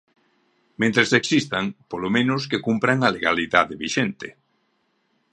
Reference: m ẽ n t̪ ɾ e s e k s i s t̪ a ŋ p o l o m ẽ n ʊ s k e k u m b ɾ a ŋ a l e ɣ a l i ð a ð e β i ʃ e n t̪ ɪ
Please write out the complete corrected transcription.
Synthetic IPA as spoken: m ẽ n t̪ ɾ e s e k s i s t̪ a ŋ p o l o m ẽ n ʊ s k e k u m p ɾ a ŋ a l e ɣ a l i ð a ð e β i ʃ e n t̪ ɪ